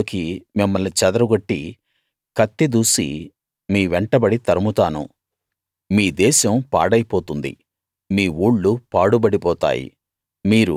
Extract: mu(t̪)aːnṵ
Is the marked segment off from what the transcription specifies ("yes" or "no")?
no